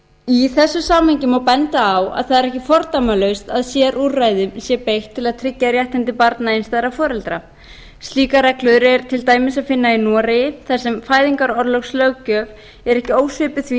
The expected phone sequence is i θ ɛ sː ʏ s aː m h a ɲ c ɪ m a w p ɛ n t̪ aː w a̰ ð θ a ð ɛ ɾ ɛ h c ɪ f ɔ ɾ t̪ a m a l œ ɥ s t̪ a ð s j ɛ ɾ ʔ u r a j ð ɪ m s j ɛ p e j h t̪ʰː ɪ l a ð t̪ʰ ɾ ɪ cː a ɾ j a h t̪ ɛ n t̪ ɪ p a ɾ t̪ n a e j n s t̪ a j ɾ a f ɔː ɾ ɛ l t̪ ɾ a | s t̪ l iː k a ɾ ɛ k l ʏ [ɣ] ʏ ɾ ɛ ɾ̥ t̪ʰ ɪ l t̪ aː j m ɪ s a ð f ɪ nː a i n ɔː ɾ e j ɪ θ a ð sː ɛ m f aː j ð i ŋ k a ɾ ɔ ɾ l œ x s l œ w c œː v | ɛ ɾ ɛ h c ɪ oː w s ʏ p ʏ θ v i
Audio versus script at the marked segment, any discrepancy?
yes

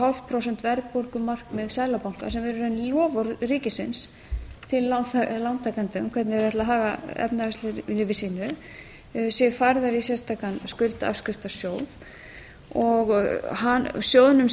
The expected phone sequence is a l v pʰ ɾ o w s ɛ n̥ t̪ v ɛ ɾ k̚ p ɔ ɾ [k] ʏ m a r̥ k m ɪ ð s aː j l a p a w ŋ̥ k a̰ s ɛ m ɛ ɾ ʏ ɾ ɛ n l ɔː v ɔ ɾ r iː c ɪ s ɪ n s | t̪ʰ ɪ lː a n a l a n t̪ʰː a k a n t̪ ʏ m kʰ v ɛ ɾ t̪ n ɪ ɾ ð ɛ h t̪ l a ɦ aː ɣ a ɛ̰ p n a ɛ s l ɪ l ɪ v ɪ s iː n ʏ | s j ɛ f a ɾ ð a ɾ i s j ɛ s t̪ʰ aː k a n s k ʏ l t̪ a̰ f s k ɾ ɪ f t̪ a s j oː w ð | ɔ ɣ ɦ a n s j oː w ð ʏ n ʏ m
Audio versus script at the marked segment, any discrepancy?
no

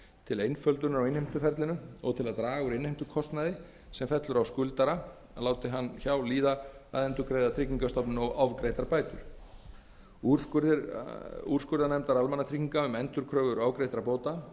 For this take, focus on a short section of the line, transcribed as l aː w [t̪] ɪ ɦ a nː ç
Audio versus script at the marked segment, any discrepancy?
no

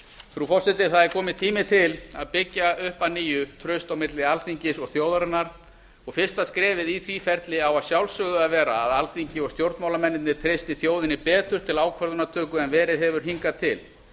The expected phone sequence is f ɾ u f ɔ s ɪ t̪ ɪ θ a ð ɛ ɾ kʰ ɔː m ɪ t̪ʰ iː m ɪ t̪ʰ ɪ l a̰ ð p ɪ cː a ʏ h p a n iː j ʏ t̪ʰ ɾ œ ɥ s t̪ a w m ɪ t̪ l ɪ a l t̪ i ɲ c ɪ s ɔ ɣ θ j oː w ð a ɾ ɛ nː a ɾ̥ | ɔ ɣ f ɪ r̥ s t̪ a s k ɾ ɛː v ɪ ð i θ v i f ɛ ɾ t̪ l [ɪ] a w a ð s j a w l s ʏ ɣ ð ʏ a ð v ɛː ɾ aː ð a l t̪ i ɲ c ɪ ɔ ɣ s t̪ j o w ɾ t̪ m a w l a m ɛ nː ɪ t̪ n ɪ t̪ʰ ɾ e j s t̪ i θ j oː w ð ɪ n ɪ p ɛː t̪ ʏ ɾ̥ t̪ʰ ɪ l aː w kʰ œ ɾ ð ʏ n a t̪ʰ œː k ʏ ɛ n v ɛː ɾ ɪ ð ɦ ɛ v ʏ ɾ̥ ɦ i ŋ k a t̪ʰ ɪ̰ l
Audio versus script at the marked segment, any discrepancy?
no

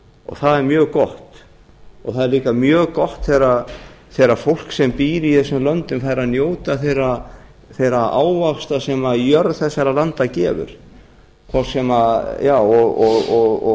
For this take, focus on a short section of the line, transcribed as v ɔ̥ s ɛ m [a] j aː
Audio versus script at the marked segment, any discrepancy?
no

